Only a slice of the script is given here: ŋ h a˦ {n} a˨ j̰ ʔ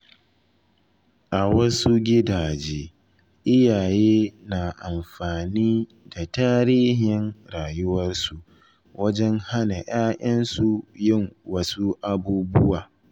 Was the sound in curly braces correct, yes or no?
yes